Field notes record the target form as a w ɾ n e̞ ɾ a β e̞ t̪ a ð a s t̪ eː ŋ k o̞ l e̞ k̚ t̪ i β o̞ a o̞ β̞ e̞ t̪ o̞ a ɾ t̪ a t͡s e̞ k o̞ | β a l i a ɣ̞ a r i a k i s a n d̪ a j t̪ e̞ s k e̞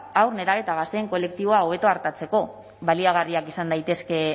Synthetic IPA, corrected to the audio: a w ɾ n e̞ ɾ a β e̞ t̪ a ɣ a s t̪ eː ŋ k o̞ l e̞ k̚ t̪ i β o̞ a o̞ β̞ e̞ t̪ o̞ a ɾ t̪ a t͡s e̞ k o̞ | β a l i a ɣ̞ a r i a k i s a n d̪ a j t̪ e̞ s k e̞